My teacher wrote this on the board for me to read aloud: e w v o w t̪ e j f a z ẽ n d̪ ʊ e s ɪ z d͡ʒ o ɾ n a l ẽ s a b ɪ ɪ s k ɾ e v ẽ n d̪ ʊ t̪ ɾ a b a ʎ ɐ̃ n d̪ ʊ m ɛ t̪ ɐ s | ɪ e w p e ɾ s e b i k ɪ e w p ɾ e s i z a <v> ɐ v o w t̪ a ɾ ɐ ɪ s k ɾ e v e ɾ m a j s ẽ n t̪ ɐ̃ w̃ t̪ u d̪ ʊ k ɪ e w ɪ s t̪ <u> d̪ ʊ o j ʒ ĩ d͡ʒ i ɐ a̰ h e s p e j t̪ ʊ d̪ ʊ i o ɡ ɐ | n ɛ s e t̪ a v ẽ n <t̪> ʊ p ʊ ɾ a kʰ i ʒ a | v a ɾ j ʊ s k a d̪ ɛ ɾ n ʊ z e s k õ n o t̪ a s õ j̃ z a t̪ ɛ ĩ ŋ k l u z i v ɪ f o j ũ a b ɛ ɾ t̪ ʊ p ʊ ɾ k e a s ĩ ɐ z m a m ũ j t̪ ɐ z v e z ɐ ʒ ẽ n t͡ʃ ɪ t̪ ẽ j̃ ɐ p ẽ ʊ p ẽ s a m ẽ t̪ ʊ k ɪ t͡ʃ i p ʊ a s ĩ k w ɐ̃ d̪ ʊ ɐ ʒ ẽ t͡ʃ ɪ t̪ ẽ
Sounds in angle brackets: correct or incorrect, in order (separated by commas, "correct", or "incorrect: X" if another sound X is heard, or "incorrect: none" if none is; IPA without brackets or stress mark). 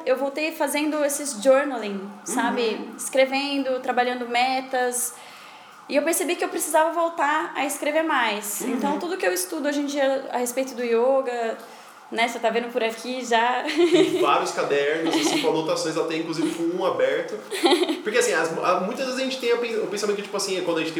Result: correct, correct, incorrect: d̪